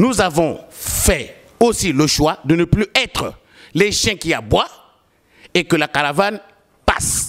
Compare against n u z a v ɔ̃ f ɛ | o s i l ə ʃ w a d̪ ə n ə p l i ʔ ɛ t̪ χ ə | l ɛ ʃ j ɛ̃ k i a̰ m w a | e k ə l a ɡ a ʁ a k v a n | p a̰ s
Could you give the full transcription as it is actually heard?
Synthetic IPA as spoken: n u z a v ɔ̃ f ɛ | o s i l ə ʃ w a d̪ ə n ə p l y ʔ ɛ t̪ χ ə | l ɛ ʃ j ɛ̃ k i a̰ b w a | e k ə l a k a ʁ a v a n | p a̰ s